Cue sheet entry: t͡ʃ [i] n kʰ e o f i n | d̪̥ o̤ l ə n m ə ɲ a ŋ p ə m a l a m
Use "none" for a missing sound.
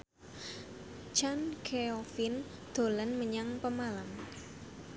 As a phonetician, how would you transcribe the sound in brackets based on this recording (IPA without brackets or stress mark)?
a